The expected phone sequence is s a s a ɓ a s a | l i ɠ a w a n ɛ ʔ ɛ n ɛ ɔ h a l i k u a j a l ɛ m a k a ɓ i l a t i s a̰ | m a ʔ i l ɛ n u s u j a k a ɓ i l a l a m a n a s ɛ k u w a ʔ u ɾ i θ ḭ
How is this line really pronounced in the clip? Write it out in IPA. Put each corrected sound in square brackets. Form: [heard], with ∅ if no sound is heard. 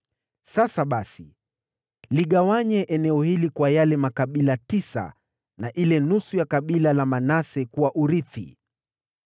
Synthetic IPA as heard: s a s a ɓ a s [i] | l i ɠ a w a [ɲ] ɛ ʔ ɛ n ɛ ɔ h [i] l i k [w] a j a l ɛ m a k a ɓ i l a t i s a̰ | [n] a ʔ i l ɛ n u s u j a k a ɓ i l a l a m a n a s ɛ k u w a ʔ u ɾ i θ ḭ